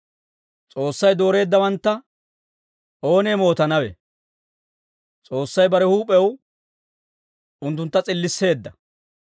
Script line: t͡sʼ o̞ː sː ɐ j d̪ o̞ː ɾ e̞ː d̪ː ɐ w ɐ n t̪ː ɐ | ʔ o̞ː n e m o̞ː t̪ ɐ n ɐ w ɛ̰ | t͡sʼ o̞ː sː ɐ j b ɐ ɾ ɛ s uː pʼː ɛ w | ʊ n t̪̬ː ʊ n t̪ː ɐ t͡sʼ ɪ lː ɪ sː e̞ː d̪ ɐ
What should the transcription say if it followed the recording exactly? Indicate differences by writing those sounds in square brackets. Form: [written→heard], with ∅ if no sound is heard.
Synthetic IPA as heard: t͡sʼ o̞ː sː ɐ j d̪ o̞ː ɾ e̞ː d̪ː ɐ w ɐ n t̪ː ɐ | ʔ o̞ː n e m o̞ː t̪ ɐ n ɐ w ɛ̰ | t͡sʼ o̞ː sː ɐ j b ɐ ɾ ɛ [s→h] uː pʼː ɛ w | ʊ n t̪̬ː ʊ n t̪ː ɐ t͡sʼ ɪ lː ɪ sː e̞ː [d̪→d̪ː] ɐ